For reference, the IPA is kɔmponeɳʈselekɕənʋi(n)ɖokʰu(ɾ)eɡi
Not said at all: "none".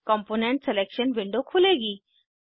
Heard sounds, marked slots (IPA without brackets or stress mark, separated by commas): ɳ, l